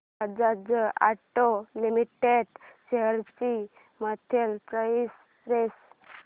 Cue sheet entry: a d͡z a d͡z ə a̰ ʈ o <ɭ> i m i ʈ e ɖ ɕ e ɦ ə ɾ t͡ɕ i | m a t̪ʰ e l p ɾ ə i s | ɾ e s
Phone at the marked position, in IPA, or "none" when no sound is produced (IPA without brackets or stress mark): l